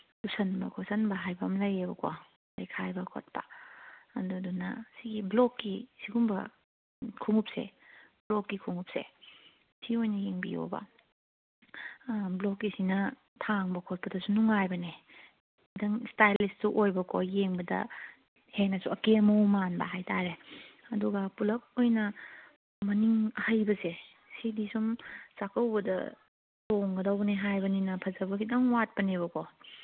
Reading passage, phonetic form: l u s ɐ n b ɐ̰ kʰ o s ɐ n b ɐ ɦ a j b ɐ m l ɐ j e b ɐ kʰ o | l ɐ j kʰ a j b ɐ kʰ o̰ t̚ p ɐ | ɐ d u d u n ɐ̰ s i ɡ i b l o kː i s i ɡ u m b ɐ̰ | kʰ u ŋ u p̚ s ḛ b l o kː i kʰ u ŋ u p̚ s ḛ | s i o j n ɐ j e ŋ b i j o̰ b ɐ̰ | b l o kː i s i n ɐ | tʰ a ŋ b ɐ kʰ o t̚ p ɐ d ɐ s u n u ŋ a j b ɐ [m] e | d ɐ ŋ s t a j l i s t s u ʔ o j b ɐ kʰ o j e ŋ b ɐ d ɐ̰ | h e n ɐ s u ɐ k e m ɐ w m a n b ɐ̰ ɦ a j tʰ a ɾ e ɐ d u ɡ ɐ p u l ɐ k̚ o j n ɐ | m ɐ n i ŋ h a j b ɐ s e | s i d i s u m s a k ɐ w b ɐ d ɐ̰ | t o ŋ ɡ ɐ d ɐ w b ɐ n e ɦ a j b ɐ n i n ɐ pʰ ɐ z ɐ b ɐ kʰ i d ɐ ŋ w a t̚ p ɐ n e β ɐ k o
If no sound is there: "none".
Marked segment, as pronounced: n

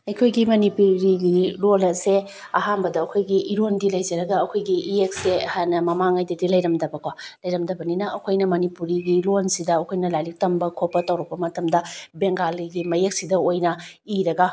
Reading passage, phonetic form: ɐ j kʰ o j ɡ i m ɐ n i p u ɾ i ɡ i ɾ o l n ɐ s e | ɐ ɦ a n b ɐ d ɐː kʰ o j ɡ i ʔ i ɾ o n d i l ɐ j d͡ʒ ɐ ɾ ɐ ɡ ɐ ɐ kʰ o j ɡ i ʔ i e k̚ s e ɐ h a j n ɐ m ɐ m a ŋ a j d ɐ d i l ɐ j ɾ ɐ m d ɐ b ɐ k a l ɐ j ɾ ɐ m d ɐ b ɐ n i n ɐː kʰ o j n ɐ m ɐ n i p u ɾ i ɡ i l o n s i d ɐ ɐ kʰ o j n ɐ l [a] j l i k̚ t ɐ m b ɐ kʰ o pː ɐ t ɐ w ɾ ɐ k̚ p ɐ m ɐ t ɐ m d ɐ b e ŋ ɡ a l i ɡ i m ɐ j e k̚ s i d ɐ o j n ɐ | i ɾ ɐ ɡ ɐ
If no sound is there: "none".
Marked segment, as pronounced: a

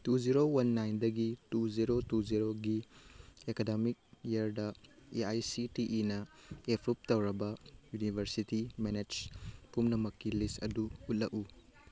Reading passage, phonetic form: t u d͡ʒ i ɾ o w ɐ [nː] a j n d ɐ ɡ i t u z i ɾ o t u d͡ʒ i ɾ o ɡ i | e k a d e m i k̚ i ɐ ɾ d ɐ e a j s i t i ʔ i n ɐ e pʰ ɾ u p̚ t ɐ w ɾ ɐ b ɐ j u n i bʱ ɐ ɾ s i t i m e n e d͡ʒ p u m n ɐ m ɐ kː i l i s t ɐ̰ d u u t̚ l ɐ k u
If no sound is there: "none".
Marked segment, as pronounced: nː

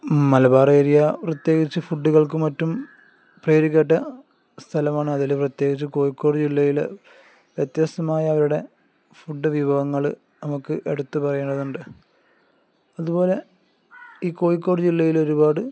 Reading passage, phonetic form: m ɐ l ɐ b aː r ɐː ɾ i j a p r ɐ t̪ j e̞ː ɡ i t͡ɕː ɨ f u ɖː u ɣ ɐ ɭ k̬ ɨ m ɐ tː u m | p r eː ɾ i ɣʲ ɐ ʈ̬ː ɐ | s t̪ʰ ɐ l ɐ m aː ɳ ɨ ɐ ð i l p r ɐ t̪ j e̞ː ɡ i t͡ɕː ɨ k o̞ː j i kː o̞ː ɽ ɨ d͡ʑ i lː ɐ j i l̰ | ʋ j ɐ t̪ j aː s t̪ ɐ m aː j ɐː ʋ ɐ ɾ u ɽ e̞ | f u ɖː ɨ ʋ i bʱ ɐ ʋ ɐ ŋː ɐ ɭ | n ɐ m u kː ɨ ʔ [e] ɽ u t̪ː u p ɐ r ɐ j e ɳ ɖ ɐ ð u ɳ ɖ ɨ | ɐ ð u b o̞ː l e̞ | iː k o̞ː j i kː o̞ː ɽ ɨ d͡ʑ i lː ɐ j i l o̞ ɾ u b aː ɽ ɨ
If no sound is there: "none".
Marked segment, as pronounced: e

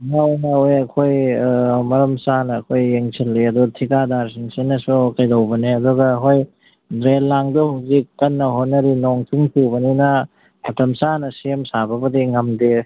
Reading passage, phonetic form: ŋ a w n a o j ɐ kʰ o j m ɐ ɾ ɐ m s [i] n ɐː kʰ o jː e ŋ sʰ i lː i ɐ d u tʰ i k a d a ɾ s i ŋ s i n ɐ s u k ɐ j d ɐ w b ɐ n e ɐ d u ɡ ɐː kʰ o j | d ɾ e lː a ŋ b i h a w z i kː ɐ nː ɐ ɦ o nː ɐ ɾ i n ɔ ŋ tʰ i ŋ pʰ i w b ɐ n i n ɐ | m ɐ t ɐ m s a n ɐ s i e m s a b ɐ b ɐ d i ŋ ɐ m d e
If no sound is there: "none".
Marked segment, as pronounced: a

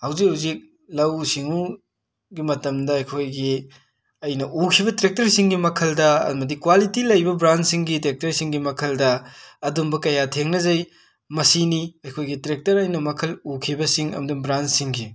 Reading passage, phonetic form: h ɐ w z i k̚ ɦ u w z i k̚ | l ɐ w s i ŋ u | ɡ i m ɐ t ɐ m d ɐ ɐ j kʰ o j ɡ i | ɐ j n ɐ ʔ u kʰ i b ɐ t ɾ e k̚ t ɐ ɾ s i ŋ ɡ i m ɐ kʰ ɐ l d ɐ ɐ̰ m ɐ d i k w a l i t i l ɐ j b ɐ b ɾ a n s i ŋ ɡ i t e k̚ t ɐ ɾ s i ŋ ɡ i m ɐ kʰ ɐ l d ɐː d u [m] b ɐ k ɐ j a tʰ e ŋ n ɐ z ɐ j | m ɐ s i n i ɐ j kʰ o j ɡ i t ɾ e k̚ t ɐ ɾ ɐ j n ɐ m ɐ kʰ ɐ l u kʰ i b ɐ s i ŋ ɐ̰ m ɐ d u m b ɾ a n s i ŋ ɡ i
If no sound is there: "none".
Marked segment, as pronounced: m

